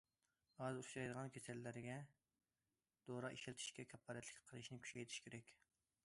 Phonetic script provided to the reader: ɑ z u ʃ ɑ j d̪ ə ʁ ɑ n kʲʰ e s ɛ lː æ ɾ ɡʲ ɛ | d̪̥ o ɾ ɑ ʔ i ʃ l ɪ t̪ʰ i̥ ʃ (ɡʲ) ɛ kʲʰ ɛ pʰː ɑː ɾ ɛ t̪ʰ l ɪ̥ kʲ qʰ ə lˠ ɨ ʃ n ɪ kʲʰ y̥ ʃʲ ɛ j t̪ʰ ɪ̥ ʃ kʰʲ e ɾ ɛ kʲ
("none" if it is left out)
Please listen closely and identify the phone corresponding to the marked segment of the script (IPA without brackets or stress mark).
kʲ